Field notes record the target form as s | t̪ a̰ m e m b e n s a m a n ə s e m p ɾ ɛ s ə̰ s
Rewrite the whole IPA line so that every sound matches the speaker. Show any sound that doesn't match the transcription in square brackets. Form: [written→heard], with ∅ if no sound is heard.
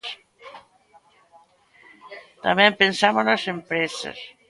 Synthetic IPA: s | t̪ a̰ m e m [b→p] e n s a m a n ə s e m p ɾ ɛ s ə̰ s